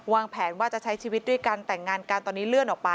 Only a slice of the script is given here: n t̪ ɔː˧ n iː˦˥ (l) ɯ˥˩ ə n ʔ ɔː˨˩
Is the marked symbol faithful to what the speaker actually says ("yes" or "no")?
yes